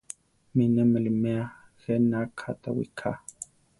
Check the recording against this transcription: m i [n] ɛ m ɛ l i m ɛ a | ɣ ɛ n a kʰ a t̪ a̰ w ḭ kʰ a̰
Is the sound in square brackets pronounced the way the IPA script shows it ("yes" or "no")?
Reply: yes